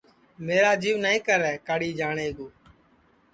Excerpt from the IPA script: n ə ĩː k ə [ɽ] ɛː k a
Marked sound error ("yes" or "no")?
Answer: yes